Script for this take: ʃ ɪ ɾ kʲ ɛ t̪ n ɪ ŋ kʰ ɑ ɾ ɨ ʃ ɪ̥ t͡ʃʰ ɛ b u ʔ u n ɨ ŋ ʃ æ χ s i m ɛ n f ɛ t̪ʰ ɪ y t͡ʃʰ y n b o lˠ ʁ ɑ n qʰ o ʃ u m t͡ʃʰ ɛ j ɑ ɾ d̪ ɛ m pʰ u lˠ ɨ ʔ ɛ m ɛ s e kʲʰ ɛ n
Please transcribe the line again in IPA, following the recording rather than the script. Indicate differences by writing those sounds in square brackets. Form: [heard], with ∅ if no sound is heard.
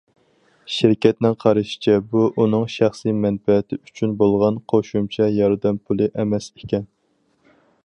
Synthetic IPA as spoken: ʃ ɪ ɾ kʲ ɛ t̪ n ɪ ŋ [qʰ] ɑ ɾ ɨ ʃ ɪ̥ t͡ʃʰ ɛ b u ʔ u n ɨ ŋ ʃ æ χ s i m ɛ n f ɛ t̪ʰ ɪ y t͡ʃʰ y n b o lˠ ʁ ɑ n qʰ o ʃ u m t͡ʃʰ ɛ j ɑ ɾ d̪ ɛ m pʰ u lˠ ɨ ʔ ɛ m ɛ s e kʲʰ ɛ n